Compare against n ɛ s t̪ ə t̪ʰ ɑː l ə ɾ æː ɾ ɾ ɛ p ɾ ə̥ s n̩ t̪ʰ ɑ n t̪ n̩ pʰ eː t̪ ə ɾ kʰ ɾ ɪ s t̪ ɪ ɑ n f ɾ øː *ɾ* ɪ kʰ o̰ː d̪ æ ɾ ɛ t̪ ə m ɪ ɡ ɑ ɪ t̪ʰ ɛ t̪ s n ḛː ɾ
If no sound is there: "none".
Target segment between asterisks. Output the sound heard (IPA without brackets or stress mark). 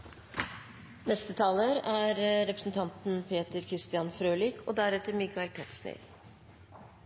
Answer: l